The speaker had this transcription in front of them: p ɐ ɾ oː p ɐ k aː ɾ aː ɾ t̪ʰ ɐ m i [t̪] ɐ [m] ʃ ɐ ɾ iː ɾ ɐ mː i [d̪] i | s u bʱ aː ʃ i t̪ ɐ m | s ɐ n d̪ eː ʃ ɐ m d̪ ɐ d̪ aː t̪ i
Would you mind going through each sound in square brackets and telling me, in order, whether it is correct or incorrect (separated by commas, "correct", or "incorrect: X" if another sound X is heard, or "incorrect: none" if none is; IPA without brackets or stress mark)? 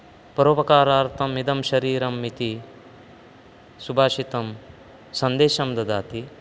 incorrect: d̪, correct, incorrect: t̪